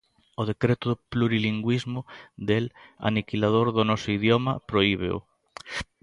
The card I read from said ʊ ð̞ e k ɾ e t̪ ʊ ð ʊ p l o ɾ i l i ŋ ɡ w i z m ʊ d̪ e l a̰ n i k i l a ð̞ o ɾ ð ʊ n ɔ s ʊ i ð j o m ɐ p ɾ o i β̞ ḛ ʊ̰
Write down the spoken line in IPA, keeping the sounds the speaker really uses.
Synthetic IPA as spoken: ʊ ð̞ e k ɾ e t̪ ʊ ð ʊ p l u ɾ i l i ŋ ɡ w i z m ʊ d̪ e l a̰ n i k i l a ð̞ o ɾ ð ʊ n ɔ s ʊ i ð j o m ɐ p ɾ o i β̞ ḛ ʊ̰